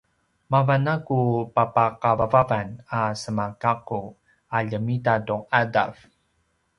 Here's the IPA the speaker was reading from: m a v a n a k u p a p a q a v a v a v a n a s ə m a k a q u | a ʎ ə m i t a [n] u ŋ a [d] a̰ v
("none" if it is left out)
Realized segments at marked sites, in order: d, d

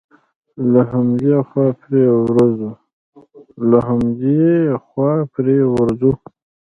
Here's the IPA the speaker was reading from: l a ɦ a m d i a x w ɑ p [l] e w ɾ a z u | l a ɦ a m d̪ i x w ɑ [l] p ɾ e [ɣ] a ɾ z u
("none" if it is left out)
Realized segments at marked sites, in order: ɾ, none, w

